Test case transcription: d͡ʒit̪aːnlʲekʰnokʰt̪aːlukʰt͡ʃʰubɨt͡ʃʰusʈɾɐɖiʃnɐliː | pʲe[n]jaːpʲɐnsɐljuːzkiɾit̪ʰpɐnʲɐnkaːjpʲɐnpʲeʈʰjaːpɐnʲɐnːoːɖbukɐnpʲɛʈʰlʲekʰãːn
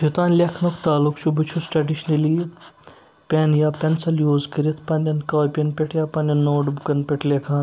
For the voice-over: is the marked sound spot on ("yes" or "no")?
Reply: yes